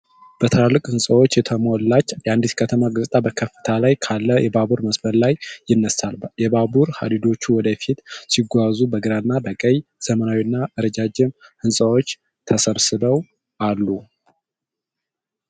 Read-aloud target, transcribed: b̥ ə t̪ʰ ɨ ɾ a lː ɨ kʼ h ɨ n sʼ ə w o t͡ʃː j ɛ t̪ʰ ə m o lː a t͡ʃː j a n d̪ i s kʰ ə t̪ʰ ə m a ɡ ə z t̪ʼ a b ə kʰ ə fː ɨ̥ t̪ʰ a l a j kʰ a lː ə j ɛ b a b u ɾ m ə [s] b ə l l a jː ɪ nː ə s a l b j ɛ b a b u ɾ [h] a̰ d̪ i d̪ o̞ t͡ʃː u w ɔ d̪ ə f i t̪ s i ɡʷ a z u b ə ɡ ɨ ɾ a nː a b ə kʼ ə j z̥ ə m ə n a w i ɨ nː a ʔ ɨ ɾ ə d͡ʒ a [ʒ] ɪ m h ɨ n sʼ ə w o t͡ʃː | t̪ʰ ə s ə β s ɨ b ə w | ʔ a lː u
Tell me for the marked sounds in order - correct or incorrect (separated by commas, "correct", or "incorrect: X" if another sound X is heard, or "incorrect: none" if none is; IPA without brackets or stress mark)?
correct, correct, incorrect: d͡ʒ